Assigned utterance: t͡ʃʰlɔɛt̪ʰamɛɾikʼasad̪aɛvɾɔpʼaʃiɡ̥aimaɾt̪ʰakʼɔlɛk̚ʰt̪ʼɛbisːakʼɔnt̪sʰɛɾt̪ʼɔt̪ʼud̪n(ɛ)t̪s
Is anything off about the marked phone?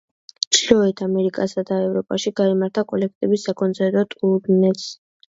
no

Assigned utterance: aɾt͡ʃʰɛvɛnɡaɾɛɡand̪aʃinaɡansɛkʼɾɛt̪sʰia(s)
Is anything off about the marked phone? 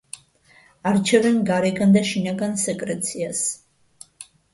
no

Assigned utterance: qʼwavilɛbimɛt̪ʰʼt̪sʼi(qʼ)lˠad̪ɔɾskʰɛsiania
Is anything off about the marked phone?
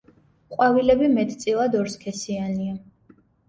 yes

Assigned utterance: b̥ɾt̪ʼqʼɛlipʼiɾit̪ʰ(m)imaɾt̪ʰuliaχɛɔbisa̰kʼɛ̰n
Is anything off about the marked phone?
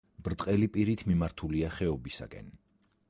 no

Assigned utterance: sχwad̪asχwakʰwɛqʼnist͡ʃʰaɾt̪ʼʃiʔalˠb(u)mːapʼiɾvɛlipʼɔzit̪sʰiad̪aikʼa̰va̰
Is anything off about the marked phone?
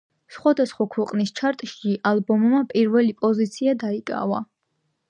yes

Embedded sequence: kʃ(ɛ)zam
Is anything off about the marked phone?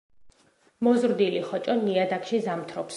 yes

